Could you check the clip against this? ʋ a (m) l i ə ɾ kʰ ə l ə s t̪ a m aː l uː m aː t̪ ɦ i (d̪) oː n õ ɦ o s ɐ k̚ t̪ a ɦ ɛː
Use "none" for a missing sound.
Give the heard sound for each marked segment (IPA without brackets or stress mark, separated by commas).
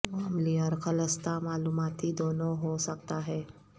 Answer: m, d̪